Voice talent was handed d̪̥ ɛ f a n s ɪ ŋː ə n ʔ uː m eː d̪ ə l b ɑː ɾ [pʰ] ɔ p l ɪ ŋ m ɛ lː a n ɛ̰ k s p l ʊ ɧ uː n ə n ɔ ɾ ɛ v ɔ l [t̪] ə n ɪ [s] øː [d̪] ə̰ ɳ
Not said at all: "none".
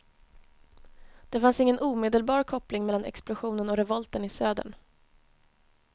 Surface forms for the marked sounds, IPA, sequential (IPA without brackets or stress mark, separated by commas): kʰ, t̪, s, d̪